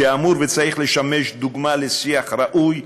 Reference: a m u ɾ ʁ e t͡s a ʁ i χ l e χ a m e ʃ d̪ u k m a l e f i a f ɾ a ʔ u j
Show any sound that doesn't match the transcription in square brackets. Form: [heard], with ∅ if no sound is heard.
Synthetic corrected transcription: a m u ɾ [v] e t͡s a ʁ i χ l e [ʃ] a m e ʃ d̪ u [ɡ] m a l e [s] i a [χ] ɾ a ʔ u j